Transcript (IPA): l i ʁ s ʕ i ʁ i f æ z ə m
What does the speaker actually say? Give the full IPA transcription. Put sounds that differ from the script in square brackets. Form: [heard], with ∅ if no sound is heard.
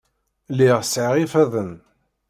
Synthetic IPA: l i ʁ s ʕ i ʁ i f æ [ð] ə [n]